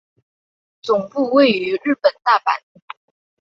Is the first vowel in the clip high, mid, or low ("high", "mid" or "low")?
high